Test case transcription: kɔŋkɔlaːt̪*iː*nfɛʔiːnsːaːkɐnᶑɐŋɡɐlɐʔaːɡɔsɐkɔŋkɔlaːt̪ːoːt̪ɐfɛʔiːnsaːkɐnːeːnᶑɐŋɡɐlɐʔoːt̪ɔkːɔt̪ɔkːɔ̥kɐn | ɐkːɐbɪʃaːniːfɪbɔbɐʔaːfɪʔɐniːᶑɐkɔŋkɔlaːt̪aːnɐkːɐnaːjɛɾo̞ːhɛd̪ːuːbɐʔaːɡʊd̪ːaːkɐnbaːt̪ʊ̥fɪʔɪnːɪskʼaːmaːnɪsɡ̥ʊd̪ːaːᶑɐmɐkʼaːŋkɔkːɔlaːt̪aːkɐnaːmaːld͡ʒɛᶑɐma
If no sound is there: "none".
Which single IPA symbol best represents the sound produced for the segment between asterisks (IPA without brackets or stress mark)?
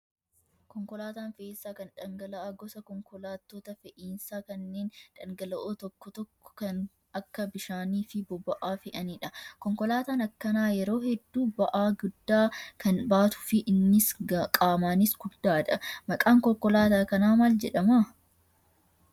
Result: aː